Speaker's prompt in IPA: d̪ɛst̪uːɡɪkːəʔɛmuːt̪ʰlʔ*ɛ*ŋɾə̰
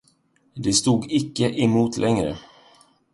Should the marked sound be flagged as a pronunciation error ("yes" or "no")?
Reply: no